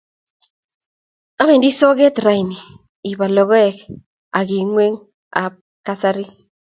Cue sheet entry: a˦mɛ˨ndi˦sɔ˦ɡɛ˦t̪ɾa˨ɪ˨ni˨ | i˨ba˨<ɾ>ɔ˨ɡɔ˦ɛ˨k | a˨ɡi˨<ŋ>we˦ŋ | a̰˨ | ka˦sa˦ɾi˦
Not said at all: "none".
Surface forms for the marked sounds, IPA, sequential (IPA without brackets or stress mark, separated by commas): l, ŋ